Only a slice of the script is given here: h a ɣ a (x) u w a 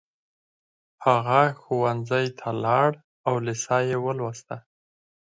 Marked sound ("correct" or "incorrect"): correct